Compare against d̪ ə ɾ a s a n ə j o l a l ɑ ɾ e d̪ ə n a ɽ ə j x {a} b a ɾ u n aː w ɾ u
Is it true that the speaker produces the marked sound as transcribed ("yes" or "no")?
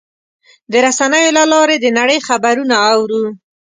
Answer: yes